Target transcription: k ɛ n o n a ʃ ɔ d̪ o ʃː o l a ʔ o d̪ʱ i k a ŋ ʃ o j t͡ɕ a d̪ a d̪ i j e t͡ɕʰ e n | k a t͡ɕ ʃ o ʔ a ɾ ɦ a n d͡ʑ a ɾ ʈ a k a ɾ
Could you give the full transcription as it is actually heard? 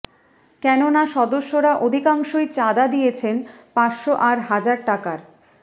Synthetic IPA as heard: k ɛ n o n a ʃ ɔ d̪ o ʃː o ɾ a ʔ o d̪ʱ i k a ŋ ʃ o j t͡ɕ a d̪ a d̪ i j e t͡ɕʰ e n | p a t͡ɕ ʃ o ʔ a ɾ ɦ a d͡ʑ a ɾ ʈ a k a ɾ